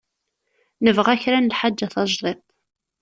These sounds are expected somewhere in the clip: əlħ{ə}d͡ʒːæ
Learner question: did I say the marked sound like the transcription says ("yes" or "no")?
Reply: no